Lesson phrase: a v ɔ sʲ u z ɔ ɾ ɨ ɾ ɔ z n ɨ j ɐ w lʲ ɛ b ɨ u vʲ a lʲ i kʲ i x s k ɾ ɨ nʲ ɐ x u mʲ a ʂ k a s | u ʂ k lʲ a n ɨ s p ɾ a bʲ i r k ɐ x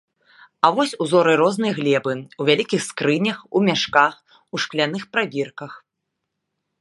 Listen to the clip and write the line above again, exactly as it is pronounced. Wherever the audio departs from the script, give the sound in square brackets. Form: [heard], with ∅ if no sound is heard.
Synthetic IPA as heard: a v ɔ sʲ u z ɔ ɾ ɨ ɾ ɔ z n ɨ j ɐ [ɣ] lʲ ɛ b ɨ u vʲ a lʲ i kʲ i x s k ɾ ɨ nʲ ɐ x u mʲ a ʂ k a [x] | u ʂ k lʲ a n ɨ [x] p ɾ a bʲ i r k ɐ x